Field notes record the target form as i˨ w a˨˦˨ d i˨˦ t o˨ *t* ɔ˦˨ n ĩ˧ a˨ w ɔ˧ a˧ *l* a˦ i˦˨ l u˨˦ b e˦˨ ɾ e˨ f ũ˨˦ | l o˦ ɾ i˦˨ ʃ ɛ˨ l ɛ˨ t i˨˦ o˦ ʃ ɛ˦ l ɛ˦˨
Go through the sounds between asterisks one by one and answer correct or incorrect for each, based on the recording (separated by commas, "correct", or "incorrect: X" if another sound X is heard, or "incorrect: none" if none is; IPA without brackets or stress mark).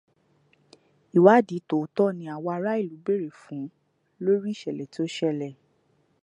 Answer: correct, incorrect: ɾ